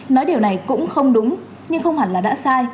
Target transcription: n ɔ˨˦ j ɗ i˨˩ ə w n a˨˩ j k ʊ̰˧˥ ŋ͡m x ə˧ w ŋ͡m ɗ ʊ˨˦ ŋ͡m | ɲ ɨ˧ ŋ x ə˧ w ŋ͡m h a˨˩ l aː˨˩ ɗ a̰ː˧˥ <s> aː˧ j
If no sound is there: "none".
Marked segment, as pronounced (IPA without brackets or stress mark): s